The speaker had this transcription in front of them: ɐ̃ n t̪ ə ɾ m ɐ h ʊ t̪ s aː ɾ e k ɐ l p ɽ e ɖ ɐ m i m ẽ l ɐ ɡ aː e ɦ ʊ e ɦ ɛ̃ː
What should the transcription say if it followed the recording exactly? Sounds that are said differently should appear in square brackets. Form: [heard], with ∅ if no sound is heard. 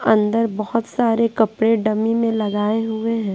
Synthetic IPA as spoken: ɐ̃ n [d̪] ə ɾ [b] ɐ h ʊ t̪ s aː ɾ e k ɐ [∅] p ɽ e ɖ ɐ m i m ẽ l ɐ ɡ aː e ɦ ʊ e ɦ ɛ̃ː